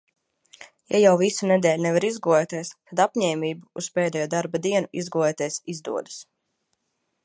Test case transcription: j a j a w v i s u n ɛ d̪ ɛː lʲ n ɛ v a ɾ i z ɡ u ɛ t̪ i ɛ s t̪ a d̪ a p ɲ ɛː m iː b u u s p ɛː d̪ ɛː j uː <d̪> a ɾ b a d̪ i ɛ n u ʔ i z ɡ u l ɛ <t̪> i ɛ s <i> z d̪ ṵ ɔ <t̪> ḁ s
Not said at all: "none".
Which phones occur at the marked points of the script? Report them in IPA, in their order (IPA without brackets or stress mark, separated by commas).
d̪, t̪, i, d̪